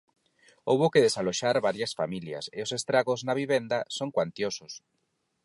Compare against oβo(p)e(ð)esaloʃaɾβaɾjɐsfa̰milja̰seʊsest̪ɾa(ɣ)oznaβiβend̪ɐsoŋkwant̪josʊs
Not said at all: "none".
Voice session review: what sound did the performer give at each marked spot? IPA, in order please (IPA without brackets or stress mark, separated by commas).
k, ð, ɣ